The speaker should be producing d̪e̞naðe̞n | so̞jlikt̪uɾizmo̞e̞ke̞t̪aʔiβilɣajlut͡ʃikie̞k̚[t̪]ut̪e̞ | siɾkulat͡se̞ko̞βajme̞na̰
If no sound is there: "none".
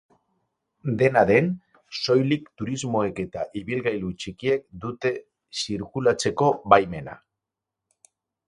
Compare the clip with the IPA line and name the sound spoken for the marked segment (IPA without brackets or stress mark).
d̪